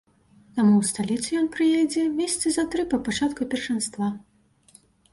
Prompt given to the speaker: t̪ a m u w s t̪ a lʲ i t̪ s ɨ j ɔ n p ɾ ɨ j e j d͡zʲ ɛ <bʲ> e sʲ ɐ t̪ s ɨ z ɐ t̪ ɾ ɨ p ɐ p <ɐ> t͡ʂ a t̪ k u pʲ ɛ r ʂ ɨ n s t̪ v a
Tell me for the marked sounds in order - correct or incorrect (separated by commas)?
incorrect, incorrect